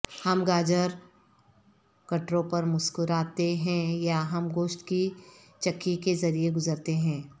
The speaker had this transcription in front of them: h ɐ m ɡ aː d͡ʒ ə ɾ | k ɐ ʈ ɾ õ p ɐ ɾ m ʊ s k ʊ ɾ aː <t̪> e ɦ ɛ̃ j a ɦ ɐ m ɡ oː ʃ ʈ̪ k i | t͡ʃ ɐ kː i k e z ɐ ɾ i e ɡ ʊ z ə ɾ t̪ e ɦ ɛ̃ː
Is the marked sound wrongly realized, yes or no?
no